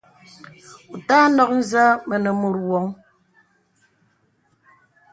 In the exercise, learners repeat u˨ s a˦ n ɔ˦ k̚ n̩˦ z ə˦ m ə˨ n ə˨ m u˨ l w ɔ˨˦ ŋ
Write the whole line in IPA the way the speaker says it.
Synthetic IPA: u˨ t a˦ n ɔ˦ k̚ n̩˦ z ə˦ m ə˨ n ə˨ m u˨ ɾ w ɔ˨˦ ŋ